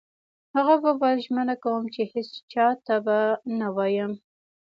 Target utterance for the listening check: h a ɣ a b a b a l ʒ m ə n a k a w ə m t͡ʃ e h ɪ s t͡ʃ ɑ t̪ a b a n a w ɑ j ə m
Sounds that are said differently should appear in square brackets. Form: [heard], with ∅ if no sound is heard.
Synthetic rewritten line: h a ɣ a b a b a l ʒ m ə n a k a w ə m t͡ʃ e h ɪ s t͡ʃ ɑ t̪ a b a n a w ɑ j ə m